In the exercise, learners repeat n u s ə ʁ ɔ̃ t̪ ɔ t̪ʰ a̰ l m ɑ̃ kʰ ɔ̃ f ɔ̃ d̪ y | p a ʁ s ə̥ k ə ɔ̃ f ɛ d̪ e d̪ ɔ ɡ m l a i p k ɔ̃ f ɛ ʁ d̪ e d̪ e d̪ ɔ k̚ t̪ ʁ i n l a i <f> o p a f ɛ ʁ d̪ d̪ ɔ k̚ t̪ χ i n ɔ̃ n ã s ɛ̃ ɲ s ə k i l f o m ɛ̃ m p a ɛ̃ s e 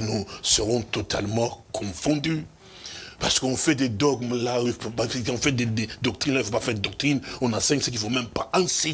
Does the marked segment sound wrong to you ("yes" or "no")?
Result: no